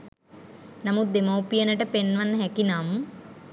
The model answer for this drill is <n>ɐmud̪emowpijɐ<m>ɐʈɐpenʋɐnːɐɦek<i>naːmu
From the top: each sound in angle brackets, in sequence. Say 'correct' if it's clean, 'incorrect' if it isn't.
correct, incorrect: n, correct

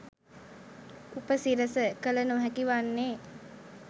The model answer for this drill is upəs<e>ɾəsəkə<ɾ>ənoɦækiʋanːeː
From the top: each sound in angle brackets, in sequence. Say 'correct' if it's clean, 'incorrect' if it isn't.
incorrect: i, incorrect: l

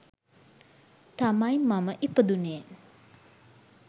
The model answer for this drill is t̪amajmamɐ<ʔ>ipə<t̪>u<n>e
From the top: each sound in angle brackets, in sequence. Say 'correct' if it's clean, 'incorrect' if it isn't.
correct, incorrect: d̪, correct

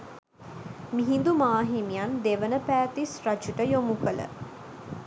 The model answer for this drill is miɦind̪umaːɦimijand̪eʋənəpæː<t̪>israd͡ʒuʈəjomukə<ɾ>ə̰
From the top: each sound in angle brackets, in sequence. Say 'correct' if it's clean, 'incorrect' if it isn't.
correct, incorrect: l

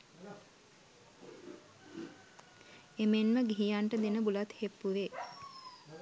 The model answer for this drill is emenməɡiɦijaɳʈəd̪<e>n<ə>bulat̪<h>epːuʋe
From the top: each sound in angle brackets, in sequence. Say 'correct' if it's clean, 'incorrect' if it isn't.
correct, correct, correct

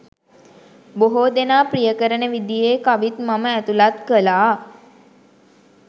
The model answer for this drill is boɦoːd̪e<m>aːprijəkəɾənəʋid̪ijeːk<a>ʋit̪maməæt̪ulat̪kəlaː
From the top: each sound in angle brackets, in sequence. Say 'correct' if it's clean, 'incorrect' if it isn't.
incorrect: n, correct

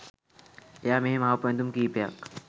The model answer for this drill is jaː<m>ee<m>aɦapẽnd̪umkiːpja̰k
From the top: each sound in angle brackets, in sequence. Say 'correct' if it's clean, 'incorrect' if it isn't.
correct, correct

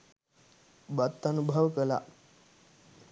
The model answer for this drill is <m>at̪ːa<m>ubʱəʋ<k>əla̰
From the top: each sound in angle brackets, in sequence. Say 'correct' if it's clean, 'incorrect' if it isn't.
incorrect: b, incorrect: n, correct

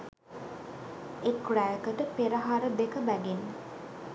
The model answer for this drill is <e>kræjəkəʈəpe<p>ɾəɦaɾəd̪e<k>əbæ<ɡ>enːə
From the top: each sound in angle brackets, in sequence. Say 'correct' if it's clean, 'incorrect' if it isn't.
correct, incorrect: none, correct, correct

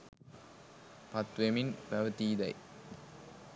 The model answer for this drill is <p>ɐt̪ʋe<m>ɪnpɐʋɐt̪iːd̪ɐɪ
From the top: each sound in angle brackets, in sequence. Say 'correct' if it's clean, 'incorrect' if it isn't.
correct, correct

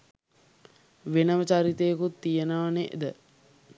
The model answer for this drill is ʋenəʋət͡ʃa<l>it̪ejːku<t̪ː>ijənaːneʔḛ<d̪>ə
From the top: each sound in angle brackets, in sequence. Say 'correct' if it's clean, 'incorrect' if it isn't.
incorrect: ɾ, correct, correct

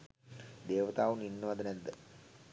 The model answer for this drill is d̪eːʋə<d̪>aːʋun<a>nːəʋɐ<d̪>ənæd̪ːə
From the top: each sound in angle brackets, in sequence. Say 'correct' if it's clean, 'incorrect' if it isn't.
incorrect: t̪, incorrect: i, correct

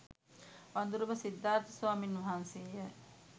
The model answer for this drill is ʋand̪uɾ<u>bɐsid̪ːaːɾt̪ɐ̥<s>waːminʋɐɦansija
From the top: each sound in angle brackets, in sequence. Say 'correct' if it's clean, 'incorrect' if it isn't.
correct, correct

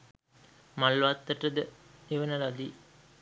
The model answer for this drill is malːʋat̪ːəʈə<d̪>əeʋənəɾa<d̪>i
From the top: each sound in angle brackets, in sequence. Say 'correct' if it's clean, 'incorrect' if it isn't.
correct, correct

